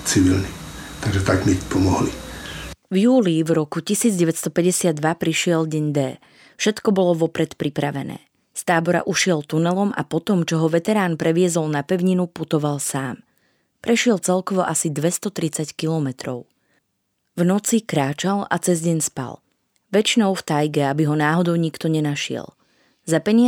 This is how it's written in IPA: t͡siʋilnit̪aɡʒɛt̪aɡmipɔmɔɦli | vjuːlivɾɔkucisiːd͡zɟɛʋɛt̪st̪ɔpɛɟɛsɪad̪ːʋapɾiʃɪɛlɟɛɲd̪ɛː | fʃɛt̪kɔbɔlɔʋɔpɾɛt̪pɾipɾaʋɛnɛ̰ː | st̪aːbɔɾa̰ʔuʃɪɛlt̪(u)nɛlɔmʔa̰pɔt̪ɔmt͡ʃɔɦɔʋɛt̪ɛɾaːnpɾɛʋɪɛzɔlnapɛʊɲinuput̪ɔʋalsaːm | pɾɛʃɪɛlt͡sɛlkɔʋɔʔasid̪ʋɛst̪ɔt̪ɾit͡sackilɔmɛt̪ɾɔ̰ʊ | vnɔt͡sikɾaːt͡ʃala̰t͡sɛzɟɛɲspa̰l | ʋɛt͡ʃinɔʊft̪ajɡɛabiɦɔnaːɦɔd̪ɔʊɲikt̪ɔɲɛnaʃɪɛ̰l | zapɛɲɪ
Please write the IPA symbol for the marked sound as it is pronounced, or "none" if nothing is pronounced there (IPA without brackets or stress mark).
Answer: u